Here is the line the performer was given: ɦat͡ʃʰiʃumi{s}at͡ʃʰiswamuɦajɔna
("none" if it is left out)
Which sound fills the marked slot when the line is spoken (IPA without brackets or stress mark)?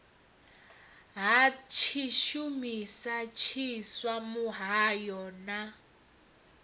s